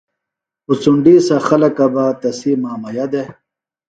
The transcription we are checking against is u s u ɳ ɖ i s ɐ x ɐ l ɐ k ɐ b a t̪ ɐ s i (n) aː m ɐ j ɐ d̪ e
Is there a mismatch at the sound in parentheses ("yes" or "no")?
yes